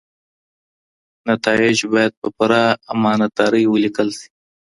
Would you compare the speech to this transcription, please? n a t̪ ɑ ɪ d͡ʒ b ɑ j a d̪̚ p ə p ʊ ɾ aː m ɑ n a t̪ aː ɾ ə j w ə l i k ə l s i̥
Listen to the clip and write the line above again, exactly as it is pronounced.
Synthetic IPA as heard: n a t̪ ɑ ɪ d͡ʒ b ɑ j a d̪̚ p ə p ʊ ɾ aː m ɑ n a t̪ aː ɾ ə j w ə l i k ə l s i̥